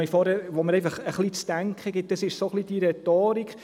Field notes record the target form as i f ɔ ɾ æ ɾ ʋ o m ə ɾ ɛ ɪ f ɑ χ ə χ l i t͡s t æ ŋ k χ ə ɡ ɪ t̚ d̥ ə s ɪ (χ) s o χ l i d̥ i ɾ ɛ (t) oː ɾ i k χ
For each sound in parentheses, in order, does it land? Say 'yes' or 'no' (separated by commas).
no, yes